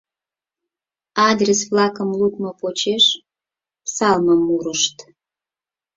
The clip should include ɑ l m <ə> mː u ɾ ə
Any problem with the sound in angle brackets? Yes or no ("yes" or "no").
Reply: no